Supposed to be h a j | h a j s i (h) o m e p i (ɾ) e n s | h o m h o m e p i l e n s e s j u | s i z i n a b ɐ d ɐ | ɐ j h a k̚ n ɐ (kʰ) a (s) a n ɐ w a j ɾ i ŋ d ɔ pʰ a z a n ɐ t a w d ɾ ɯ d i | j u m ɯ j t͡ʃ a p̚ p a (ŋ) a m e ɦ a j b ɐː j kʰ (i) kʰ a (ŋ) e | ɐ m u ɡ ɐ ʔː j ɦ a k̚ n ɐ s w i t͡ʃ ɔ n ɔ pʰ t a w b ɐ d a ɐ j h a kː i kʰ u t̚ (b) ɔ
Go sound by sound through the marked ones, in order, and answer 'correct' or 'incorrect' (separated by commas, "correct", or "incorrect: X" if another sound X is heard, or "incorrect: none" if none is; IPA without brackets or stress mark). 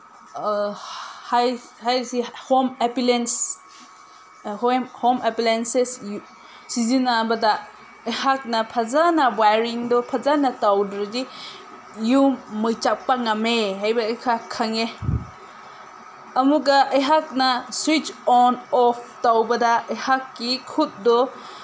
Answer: correct, incorrect: l, incorrect: pʰ, incorrect: z, correct, incorrect: a, correct, incorrect: d